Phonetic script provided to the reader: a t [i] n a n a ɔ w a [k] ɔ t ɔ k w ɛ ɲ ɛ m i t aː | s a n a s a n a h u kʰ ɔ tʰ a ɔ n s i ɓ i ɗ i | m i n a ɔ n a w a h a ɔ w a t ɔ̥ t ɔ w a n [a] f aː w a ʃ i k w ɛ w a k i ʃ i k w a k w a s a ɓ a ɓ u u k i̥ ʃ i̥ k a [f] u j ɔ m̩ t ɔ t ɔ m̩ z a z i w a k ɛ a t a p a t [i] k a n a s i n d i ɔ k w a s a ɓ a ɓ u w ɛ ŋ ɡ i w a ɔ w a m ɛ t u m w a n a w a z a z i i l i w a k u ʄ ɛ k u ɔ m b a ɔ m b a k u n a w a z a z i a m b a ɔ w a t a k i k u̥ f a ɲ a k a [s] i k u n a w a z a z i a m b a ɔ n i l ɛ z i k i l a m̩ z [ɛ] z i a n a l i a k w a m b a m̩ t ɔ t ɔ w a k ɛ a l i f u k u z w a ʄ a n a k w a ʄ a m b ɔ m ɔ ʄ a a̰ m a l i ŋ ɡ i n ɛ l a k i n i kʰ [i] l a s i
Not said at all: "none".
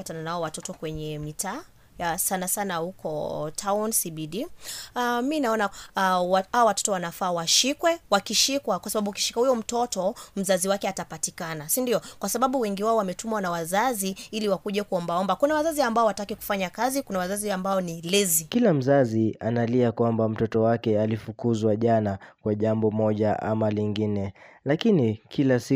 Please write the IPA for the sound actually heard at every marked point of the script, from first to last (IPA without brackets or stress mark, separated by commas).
a, t, a, h, i, z, a, i